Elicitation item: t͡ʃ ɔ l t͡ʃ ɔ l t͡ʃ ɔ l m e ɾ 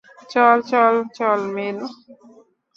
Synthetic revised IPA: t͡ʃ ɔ l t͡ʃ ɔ l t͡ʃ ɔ l m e l